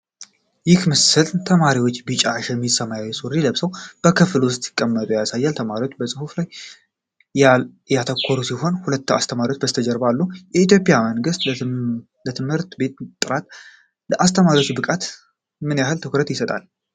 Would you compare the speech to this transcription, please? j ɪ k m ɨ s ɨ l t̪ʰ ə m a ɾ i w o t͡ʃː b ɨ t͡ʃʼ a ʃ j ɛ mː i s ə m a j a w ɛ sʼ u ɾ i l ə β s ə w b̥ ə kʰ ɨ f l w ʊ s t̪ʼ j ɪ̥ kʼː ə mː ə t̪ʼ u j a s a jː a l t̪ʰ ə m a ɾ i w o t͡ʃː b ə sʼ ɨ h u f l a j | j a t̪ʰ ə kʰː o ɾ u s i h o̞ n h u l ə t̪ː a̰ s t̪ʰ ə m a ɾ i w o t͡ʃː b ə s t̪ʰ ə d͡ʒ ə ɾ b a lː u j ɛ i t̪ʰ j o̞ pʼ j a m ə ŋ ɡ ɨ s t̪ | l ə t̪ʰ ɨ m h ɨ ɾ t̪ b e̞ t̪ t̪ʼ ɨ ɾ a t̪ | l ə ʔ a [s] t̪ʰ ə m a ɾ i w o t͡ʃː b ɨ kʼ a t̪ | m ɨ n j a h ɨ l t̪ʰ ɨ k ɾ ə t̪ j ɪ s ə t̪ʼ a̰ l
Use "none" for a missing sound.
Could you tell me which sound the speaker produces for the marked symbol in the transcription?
s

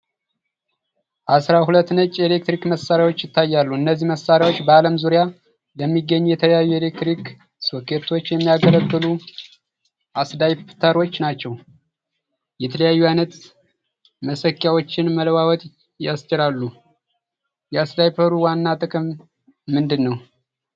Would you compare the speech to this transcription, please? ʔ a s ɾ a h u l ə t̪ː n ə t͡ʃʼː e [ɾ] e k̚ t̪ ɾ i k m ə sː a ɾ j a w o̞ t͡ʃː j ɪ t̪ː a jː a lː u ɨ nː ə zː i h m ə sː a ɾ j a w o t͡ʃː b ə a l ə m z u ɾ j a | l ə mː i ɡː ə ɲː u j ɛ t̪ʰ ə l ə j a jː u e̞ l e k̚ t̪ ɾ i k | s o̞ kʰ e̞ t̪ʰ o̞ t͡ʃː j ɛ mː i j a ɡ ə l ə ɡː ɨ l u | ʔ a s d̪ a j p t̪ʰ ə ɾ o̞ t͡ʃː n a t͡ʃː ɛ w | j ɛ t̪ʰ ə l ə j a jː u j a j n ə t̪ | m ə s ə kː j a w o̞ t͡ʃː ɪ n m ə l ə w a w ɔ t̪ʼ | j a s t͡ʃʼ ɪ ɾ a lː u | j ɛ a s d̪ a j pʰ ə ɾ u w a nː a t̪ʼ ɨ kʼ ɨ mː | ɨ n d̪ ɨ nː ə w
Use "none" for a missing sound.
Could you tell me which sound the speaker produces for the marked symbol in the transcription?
l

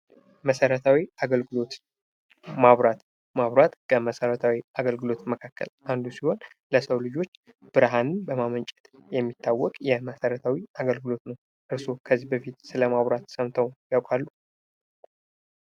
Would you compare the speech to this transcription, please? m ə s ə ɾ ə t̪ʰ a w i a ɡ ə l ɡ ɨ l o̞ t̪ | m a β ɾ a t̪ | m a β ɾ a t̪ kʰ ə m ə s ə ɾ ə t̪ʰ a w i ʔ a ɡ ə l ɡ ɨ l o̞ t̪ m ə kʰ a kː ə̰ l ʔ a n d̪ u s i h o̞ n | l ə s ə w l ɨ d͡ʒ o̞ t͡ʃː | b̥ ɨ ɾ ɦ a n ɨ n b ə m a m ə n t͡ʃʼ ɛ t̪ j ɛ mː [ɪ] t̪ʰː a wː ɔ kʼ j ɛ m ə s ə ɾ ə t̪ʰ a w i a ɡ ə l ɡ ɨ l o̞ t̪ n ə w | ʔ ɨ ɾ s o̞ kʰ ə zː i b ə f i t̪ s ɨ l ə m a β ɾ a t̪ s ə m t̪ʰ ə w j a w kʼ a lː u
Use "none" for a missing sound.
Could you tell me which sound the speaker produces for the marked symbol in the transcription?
i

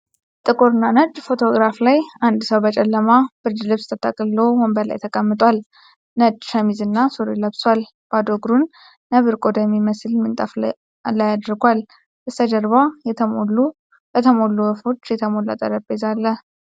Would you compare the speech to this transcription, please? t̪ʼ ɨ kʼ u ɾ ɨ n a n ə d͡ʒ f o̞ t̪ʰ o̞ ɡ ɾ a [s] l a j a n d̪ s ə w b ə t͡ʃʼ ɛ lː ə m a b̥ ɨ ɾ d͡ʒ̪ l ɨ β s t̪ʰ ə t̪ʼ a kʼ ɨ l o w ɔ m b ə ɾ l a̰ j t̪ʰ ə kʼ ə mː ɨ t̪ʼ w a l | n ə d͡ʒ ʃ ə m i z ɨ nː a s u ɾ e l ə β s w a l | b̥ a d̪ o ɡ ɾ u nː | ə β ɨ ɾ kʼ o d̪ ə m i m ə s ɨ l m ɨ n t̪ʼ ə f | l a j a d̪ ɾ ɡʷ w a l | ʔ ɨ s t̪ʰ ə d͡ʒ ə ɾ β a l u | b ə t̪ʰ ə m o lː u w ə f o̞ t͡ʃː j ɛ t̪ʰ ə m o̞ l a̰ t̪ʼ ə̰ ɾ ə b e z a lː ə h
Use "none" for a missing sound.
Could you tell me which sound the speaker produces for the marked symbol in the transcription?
f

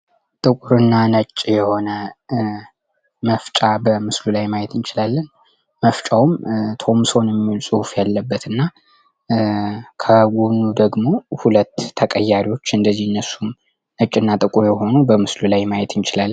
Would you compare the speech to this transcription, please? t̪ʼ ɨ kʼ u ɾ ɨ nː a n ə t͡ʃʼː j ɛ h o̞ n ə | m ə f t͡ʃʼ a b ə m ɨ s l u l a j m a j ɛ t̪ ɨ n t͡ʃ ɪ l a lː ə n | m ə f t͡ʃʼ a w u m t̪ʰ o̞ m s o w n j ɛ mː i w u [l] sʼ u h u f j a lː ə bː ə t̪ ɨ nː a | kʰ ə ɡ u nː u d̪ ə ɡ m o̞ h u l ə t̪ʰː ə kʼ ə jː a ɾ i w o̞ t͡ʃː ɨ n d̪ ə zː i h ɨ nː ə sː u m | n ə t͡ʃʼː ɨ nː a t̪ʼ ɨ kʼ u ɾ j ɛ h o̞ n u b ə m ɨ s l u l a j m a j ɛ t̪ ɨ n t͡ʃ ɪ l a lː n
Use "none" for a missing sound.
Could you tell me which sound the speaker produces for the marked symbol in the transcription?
l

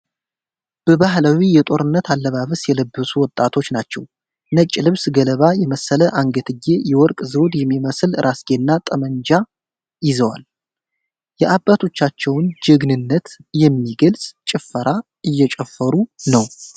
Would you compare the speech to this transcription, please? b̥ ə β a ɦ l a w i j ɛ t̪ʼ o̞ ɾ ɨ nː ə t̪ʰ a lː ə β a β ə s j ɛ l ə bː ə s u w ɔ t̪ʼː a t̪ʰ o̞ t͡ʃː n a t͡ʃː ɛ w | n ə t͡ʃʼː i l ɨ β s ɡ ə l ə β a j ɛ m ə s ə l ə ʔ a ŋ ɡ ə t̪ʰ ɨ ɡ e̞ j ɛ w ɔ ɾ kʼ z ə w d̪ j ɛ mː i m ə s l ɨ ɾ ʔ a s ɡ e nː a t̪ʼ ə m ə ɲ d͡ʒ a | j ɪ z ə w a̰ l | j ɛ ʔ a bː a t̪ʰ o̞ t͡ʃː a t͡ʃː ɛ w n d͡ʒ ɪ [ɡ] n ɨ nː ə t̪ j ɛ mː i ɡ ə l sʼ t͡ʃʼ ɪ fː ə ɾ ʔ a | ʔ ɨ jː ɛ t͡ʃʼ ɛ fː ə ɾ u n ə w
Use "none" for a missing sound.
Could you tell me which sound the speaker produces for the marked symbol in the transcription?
ɡ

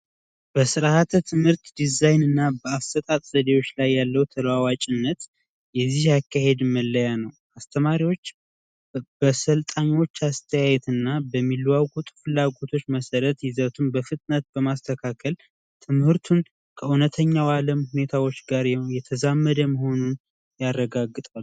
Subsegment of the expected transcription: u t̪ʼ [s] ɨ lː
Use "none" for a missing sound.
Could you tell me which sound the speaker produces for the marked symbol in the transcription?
f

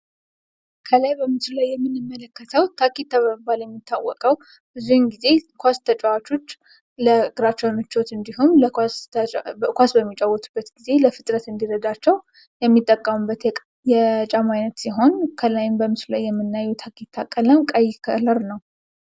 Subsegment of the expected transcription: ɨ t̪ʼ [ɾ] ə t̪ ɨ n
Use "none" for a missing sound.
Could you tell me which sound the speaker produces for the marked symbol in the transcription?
ɾ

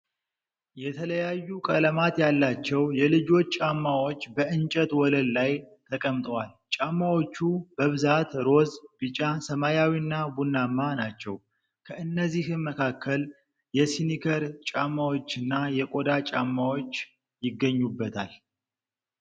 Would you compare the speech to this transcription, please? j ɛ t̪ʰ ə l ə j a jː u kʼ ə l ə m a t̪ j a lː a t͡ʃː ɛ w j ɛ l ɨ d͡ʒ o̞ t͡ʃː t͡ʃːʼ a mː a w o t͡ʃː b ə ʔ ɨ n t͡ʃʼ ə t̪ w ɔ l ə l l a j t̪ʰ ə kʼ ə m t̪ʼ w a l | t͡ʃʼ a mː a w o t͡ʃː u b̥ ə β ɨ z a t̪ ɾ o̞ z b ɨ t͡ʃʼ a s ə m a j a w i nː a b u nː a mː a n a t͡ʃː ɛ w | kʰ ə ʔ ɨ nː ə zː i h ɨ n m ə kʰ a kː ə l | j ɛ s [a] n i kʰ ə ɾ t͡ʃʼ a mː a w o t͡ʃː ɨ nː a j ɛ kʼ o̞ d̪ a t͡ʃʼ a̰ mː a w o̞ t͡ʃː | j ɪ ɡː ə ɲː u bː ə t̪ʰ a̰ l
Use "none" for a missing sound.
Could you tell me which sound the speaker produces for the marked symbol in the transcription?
i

